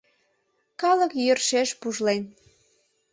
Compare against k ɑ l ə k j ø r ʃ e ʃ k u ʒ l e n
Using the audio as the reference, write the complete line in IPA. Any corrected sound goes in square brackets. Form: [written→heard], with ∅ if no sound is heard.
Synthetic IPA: k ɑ l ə k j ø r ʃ e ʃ [k→p] u ʒ l e n